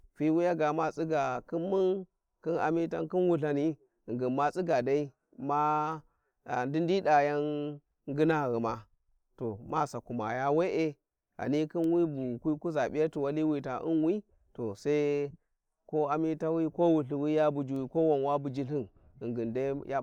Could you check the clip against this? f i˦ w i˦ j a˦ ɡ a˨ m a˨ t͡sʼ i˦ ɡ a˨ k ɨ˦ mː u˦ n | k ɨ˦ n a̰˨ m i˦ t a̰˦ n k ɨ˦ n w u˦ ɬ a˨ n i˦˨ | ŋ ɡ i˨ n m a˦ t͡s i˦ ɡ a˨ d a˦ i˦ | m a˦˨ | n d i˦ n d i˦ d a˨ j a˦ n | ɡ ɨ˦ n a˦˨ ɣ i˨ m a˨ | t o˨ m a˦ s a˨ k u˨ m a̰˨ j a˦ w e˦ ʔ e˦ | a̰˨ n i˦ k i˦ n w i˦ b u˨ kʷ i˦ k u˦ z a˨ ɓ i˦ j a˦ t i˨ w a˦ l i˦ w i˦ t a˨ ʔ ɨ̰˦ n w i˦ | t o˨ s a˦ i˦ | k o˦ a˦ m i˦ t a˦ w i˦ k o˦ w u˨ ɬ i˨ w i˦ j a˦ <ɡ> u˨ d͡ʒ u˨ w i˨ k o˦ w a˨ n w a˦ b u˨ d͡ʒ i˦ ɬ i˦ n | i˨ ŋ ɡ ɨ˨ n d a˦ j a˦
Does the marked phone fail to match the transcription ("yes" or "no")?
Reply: yes